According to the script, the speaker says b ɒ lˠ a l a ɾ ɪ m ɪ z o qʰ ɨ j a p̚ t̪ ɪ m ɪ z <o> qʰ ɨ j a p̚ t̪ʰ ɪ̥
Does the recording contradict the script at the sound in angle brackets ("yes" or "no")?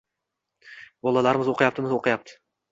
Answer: no